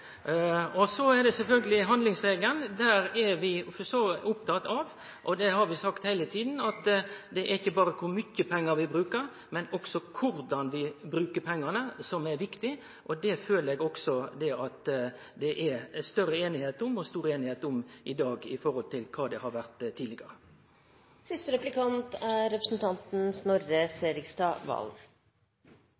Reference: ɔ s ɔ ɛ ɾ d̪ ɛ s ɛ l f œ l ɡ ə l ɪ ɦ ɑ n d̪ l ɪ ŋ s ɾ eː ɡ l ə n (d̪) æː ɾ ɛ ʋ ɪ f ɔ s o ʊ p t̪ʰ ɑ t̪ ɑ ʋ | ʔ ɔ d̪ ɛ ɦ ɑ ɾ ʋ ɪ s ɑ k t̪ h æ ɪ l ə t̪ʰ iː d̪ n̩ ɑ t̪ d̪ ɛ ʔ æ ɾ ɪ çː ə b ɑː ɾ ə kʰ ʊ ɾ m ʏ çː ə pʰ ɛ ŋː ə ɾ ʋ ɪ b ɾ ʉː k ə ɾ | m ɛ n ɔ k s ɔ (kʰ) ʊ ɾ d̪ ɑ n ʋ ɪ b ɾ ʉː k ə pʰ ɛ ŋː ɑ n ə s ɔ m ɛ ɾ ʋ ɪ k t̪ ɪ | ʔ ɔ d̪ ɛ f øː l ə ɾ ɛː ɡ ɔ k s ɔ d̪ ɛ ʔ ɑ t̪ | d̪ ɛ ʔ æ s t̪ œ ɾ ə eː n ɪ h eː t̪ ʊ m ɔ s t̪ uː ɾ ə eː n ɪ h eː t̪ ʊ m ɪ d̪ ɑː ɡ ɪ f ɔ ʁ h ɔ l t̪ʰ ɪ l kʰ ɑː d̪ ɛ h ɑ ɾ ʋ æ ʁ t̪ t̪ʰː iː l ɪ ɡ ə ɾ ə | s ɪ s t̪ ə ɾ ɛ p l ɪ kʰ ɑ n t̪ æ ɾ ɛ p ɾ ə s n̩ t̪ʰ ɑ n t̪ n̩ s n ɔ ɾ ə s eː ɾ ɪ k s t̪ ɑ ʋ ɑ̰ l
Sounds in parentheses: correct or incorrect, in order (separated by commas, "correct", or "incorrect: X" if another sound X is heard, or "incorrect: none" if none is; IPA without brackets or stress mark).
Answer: correct, correct